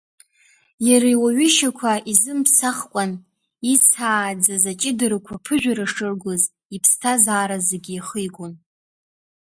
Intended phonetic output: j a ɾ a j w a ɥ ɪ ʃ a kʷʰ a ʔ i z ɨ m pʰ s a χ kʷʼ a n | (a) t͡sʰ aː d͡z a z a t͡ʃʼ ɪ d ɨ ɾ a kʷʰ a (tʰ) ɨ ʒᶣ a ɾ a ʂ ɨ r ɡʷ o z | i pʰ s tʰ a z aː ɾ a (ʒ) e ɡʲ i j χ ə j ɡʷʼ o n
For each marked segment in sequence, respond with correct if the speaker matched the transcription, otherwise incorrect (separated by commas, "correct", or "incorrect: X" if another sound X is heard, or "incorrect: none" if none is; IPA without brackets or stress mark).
incorrect: i, incorrect: pʰ, incorrect: z